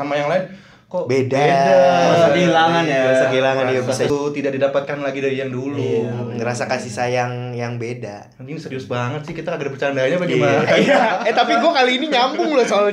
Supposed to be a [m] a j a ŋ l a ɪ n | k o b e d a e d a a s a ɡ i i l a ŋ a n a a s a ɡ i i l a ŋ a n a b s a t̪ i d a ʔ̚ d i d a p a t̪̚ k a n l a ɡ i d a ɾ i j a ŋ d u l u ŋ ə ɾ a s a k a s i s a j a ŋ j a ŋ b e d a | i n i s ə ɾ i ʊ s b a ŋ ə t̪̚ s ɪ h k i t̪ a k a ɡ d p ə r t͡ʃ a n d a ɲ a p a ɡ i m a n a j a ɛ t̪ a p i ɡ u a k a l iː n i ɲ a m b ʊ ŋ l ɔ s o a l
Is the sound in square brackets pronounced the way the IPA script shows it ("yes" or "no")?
yes